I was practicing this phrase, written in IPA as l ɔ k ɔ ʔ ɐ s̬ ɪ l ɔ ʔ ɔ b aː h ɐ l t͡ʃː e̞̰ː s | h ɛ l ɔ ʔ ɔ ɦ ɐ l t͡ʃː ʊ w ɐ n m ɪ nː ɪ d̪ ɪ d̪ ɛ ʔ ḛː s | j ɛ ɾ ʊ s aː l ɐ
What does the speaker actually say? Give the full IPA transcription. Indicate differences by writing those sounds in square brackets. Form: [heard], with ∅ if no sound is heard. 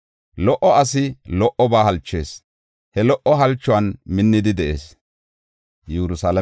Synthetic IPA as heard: l ɔ [ʔ] ɔ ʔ ɐ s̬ ɪ l ɔ ʔ ɔ b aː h ɐ l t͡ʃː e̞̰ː s | h ɛ l ɔ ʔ ɔ ɦ ɐ l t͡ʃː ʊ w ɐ n m ɪ nː ɪ d̪ ɪ d̪ ɛ ʔ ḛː s | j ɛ ɾ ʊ s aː l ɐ